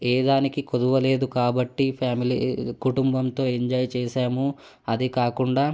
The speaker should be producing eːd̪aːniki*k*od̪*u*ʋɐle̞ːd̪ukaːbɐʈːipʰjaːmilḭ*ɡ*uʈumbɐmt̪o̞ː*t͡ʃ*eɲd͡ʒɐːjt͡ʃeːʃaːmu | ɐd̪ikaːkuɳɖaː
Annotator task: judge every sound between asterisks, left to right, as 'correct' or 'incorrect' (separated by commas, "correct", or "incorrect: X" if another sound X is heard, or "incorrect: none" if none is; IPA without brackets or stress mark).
correct, correct, incorrect: k, incorrect: none